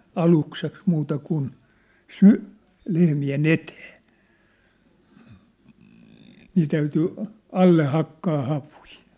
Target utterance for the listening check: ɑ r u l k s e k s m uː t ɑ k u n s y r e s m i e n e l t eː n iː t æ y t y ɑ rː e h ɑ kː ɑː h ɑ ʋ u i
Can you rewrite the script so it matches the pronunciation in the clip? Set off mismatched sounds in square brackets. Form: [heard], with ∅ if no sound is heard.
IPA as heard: ɑ [l] u [∅] k s e k s m uː t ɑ k u n s y [l] e [h] m i e n e [∅] t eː n iː t æ y t y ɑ [lː] e h ɑ kː ɑː h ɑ ʋ u i

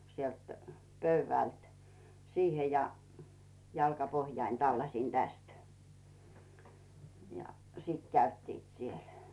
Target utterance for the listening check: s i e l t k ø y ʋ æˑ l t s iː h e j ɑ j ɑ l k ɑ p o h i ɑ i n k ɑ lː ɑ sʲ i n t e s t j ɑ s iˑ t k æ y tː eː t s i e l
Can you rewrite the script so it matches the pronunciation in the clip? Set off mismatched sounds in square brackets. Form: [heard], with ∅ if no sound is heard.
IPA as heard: s i e l t [p] ø y ʋ æˑ l t s iː h e j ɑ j ɑ l k ɑ p o h [j] ɑ i n [t] ɑ lː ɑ sʲ i n t [æ] s t j ɑ s iˑ t k æ y tː [iː] t s i e l

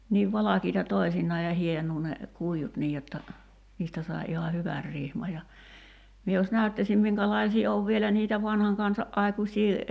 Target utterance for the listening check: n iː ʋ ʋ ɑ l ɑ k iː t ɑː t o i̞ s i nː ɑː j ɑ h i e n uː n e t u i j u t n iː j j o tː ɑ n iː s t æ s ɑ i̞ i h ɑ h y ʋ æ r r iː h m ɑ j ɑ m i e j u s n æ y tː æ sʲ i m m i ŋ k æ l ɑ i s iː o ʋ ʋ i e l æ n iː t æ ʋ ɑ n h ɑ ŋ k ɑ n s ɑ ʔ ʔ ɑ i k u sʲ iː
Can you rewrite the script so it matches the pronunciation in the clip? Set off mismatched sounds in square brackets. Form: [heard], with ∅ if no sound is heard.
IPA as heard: n iː ʋ ʋ ɑ l ɑ k iː t [ɑ] t o i̞ s i nː ɑː j ɑ h i e n uː n e [k] u i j u t n iː j j o tː ɑ n iː s t æ s ɑ i̞ i h ɑ h y ʋ æ r r [i] h m ɑ j ɑ m i e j [o] s n æ y tː æ sʲ i m m i ŋ k æ l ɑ i s iː o ʋ ʋ i e l æ n iː t æ ʋ ɑ n h ɑ ŋ k ɑ n s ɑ ʔ ʔ ɑ i k u sʲ iː

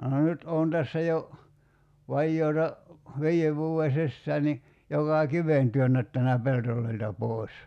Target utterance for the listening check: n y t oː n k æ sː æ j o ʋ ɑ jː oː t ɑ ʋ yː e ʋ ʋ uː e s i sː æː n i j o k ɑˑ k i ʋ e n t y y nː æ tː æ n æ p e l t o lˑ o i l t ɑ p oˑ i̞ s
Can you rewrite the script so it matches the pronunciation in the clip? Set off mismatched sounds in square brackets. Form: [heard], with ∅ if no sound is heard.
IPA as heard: n y t oː n [t] æ sː æ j o ʋ ɑ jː oː t ɑ ʋ [iː] e ʋ ʋ uː e s i sː æː n i j o k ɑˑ k i ʋ e n t y [ø] nː æ tː æ n æ p e l t o lˑ o i l t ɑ p oˑ i̞ s

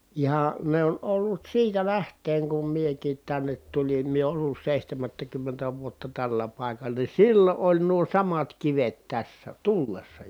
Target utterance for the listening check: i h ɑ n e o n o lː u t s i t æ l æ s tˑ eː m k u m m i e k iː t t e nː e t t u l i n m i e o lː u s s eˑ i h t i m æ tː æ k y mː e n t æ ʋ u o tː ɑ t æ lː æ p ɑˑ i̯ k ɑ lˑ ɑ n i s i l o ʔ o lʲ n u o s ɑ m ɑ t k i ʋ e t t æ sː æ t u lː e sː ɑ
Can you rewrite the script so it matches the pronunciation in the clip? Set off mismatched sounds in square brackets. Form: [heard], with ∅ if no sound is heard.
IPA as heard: i h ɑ n e o n o lː u t s [iː] t æ l æ [h] tˑ eː [ŋ] k u m m i e k iː t t [æ] nː e t t u l i n m i e o lː u s s eˑ i h t [æ] m æ tː æ k y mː e n t æ ʋ u o tː ɑ t æ lː æ p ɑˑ i̯ k ɑ lˑ ɑ n i s i [lː] o ʔ o lʲ n u o s ɑ m ɑ t k i ʋ e t t æ sː æ t u lː e sː ɑ

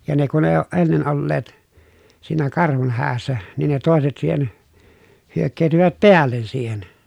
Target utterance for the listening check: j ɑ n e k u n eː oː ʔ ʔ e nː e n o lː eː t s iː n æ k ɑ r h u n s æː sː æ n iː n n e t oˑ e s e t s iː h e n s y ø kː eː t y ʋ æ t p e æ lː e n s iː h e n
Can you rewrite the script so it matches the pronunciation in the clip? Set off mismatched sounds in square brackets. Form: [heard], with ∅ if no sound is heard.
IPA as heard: j ɑ n e k u n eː oː ʔ ʔ e nː e n o lː eː t s iː n æ k ɑ r h u n [h] æː sː æ n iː n n e t oˑ e s e t s iː h e n [h] y ø kː eː t y ʋ æ t p e æ lː e n s iː h e n

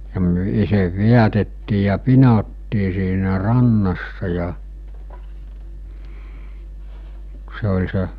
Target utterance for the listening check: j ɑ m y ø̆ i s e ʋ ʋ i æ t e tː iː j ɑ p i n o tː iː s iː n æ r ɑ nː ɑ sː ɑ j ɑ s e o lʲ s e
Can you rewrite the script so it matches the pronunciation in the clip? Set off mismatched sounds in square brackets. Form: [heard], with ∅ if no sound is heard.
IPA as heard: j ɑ m y ø̆ i s e ʋ ʋ i æ t e tː iː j ɑ p i n o tː iː s iː n æ r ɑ nː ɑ sː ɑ j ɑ s e o lʲ s e

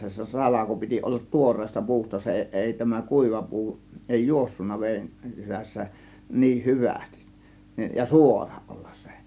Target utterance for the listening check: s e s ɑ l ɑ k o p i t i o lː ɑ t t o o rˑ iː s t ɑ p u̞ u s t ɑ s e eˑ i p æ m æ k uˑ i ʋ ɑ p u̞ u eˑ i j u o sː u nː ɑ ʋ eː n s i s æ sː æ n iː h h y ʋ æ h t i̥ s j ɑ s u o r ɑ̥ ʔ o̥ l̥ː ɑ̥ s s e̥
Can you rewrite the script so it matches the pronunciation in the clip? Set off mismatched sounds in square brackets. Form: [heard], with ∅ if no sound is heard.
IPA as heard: s e s ɑ l ɑ k o p i t i o lː ɑ t t [u] o rˑ [eː] s t ɑ p u̞ u s t ɑ s e eˑ i [t] æ m æ k uˑ i ʋ ɑ p u̞ u eˑ i j u o sː u nː ɑ ʋ eː n s i s æ sː æ n iː h h y ʋ æ [s] t i̥ s j ɑ s u o r ɑ̥ ʔ o̥ l̥ː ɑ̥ s s e̥

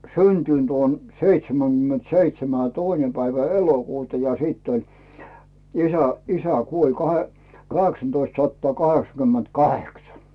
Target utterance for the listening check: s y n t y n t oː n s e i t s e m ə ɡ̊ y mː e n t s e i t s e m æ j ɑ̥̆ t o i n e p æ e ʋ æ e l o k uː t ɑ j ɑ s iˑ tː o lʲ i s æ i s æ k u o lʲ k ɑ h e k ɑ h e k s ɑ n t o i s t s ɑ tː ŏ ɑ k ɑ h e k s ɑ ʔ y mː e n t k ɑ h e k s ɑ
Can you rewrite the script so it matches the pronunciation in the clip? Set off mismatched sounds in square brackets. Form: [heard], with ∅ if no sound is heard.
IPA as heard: s y n t y n t oː n s e i t s e m ə ɡ̊ y mː e n t s e i t s e m æ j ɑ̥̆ t o i n e p æ [i] ʋ æ e l o k uː t ɑ j ɑ s iˑ tː o lʲ i s æ i s æ k u o lʲ k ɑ h e k ɑ h e k s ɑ n t o i s t s ɑ tː ŏ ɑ k ɑ h e k s ɑ [k] y mː e n t k ɑ h e k s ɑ

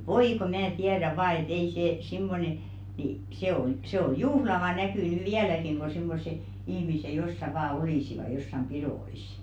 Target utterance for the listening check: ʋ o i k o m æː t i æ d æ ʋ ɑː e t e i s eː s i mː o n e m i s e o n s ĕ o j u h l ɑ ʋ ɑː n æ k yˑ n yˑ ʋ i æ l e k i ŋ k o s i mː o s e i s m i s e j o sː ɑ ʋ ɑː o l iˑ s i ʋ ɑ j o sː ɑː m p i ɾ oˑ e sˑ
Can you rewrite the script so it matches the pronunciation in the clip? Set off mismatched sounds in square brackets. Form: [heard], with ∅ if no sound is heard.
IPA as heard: ʋ o i k o m æː t i æ d æ ʋ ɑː e t e i s eː s i mː o n e [n] i s e o n s ĕ o j u h l ɑ ʋ [ɑ] n æ k yˑ n yˑ ʋ i æ l [æ] k i ŋ k o s i mː o s e i [h] m i s e j o sː ɑ ʋ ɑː o l iˑ s i ʋ ɑ j o sː [ɑ] m p i ɾ oˑ [i] sˑ

